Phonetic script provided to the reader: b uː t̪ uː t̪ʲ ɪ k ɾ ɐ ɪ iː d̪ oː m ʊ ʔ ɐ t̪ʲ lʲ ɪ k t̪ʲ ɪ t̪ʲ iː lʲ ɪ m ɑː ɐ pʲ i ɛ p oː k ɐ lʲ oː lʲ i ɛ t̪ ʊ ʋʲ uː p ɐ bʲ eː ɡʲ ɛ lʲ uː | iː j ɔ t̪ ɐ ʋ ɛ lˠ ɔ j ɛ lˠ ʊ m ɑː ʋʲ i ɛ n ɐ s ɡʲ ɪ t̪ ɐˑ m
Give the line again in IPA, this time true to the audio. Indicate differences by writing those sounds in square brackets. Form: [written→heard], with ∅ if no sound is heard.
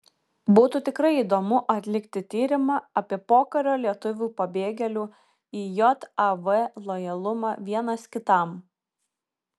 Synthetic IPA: b uː t̪ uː t̪ʲ ɪ k ɾ ɐ ɪ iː d̪ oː m ʊ ʔ ɐ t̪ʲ lʲ ɪ k t̪ʲ ɪ t̪ʲ iː [lʲ→ɾʲ] ɪ m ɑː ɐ pʲ i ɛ p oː k ɐ [lʲ→ɾʲ] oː lʲ i ɛ t̪ ʊ ʋʲ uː p ɐ bʲ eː ɡʲ ɛ lʲ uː | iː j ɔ t̪ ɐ ʋ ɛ lˠ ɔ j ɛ lˠ ʊ m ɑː ʋʲ i ɛ n ɐ s [ɡʲ→kʲ] ɪ t̪ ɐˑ m